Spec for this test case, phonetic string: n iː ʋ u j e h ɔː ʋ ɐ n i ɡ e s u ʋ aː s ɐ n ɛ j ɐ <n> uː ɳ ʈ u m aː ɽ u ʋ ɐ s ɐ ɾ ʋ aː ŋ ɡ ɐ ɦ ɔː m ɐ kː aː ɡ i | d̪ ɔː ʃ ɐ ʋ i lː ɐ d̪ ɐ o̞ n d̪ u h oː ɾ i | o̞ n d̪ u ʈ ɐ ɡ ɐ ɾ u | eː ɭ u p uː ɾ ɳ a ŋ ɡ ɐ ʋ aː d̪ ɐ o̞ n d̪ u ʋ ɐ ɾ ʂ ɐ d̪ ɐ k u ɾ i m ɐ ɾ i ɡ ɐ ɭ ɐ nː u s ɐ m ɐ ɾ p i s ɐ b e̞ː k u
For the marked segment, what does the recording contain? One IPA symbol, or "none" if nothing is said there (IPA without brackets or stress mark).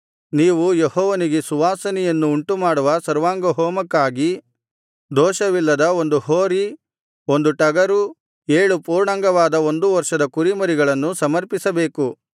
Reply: nː